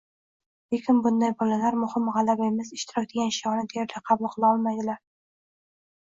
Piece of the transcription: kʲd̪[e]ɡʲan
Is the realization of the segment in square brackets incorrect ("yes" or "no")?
no